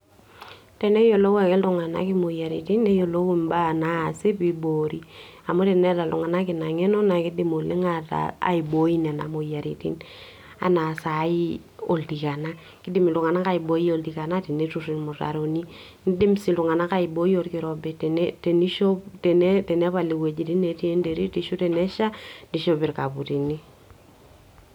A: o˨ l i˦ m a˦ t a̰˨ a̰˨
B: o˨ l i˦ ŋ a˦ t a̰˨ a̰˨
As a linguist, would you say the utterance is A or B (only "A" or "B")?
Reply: B